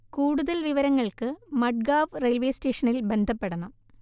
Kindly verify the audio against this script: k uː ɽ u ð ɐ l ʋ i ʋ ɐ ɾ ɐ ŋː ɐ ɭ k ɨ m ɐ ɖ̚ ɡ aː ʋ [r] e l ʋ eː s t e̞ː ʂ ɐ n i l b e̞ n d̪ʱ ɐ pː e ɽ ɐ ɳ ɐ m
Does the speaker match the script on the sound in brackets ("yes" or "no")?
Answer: yes